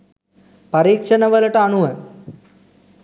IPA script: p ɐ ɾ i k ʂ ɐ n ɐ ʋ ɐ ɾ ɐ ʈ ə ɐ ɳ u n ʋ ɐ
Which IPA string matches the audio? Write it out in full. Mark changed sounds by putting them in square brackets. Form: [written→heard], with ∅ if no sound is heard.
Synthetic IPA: p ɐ ɾ [i→iː] k ʂ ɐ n ɐ ʋ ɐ [ɾ→l] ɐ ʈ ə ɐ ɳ u [n→∅] ʋ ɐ